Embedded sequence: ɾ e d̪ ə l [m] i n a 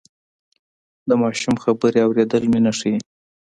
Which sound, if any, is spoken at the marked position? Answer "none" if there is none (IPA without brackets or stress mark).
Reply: m